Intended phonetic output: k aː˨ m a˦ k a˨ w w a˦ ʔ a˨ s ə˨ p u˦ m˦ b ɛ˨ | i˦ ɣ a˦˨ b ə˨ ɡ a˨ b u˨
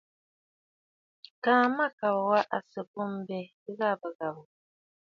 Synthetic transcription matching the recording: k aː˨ m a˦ k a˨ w w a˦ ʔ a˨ s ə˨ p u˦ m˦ b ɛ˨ | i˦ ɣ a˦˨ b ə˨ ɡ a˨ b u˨

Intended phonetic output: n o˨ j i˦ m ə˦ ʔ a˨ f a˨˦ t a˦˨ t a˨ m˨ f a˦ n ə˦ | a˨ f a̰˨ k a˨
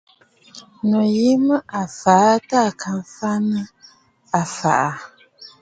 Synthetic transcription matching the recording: n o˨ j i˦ m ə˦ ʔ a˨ f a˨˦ t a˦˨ k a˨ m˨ f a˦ n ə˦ | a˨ f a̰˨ ʔ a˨

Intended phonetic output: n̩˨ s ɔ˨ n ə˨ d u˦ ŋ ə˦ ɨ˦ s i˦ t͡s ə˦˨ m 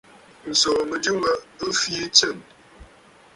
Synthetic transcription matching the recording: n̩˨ s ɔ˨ m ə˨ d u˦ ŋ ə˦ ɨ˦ f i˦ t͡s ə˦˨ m

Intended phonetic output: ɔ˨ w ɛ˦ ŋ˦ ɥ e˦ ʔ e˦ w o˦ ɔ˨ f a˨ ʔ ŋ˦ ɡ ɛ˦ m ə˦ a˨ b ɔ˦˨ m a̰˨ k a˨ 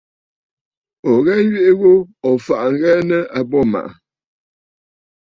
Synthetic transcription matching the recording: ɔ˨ ɣ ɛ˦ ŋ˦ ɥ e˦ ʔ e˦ ɣ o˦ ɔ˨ f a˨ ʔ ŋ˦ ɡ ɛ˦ n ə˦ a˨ b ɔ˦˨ m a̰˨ ʔ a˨

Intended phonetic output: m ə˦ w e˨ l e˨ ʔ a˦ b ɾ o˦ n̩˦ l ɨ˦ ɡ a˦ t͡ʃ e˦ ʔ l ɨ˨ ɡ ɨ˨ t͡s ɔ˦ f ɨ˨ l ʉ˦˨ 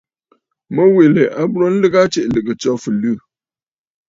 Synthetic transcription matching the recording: m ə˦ w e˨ l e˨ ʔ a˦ b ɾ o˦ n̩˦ l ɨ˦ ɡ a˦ t͡ʃ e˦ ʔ l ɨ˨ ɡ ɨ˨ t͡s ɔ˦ f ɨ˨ l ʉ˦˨

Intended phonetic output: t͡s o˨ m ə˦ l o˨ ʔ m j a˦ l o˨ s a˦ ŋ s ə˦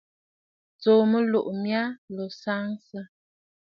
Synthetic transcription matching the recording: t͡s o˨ m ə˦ l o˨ ʔ m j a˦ l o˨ s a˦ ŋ s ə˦

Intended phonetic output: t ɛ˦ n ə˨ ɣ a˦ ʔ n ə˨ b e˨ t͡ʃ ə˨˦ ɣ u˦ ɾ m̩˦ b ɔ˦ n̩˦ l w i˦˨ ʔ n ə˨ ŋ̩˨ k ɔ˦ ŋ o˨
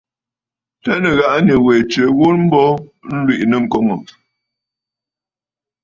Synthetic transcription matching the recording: t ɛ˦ n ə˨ ɣ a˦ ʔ n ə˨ w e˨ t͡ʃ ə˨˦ ɣ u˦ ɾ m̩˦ b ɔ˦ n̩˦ l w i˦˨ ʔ n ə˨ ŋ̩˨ k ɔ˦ ŋ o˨

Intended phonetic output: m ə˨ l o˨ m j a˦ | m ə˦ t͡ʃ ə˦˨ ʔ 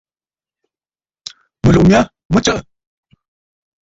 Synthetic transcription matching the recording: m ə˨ l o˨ m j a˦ | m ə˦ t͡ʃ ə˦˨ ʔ

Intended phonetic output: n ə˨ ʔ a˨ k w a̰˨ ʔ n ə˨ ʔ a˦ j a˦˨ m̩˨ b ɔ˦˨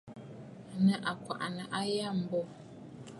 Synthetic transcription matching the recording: n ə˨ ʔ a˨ k w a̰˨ ʔ n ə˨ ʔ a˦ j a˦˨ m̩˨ b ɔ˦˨

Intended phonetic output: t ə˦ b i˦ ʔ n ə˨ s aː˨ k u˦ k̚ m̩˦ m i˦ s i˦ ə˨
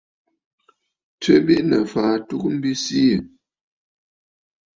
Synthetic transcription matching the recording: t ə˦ b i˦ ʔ n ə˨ f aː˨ t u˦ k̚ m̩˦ b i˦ s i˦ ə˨

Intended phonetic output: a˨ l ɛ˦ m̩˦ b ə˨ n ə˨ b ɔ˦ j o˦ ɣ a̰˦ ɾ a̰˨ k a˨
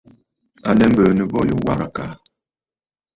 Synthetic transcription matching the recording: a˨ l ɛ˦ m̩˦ b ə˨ n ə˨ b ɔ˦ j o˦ w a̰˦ ɾ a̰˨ k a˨

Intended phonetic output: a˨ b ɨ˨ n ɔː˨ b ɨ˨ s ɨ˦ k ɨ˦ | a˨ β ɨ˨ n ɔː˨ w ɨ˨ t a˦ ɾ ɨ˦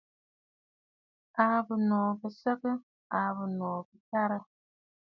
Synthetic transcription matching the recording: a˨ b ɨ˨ n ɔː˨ b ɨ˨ s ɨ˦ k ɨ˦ | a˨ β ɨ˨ n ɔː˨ b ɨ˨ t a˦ ɾ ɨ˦

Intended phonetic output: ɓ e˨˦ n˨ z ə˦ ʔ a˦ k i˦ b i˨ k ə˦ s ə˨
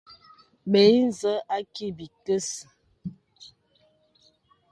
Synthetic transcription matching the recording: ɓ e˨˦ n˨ z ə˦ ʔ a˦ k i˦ b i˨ k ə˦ s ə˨

